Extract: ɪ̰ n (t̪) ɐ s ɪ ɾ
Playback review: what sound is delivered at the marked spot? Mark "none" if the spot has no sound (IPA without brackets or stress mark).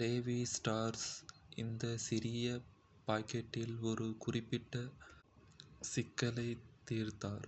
d̪